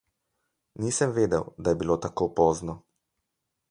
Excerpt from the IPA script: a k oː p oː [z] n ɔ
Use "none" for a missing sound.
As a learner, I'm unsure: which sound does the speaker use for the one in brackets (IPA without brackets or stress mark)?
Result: z